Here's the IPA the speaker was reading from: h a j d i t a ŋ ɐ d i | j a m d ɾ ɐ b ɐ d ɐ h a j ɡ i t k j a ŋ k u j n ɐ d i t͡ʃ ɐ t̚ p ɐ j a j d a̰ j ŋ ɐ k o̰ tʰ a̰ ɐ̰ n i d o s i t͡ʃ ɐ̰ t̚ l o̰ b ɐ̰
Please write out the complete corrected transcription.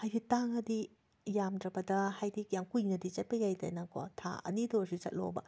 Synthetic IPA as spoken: h a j d i t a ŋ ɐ d i | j a m d ɾ ɐ b ɐ d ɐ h a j d i k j a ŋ k u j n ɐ d i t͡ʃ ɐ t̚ p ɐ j a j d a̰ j n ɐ k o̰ tʰ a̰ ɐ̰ n i d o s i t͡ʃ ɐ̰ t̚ l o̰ b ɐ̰